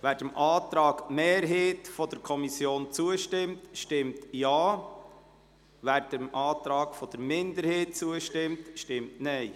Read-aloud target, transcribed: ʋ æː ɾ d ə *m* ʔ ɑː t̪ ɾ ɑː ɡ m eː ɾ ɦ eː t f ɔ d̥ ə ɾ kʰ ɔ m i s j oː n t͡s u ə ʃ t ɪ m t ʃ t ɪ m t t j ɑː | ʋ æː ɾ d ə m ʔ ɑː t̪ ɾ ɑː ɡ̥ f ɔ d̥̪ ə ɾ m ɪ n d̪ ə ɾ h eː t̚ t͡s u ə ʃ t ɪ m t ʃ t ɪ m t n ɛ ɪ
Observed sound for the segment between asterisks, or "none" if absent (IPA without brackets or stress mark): m